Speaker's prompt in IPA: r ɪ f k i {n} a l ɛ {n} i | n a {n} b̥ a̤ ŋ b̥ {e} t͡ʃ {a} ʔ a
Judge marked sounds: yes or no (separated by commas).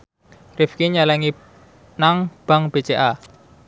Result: no, no, no, yes, no